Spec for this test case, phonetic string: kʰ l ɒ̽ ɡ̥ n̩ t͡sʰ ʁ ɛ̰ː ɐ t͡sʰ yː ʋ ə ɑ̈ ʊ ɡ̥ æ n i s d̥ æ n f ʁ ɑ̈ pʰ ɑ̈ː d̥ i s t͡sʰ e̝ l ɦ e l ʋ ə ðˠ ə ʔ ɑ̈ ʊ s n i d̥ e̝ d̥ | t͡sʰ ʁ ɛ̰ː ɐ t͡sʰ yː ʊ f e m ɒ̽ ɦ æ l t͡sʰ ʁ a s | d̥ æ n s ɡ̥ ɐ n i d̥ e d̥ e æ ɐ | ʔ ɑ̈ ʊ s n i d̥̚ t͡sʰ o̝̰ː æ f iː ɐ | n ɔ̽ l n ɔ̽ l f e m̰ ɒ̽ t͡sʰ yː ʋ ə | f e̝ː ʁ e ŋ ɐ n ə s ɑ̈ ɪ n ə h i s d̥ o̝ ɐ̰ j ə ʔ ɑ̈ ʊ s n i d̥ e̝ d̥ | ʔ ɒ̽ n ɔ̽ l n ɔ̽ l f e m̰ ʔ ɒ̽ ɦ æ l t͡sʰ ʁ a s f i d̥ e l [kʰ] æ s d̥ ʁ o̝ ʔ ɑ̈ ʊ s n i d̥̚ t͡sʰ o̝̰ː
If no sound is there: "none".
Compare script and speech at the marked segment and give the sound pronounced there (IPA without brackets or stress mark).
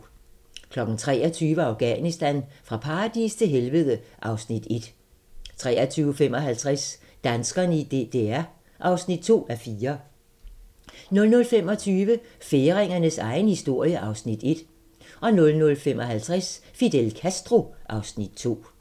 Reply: kʰ